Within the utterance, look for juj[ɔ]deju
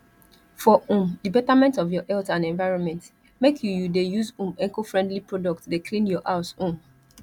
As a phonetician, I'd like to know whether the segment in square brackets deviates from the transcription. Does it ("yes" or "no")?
yes